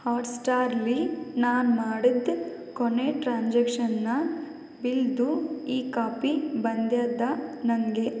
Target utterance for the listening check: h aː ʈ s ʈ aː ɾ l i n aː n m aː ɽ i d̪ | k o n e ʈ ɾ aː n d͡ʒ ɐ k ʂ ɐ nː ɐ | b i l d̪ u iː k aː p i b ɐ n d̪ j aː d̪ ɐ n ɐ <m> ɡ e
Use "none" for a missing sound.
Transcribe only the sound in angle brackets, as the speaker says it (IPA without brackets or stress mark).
ŋ